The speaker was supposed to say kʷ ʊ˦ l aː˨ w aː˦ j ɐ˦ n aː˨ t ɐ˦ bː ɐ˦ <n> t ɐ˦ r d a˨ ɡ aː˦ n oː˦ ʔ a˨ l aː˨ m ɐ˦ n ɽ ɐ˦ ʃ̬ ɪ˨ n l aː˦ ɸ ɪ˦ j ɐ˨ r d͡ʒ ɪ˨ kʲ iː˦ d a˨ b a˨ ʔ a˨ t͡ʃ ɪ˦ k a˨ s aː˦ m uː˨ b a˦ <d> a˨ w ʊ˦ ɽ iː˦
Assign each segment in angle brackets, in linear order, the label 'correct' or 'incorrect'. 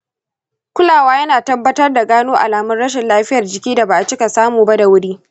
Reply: incorrect, correct

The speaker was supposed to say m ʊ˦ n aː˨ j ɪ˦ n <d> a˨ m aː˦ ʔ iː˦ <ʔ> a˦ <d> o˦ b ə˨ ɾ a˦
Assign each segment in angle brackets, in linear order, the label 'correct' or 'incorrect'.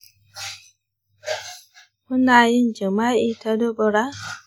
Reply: incorrect, incorrect, correct

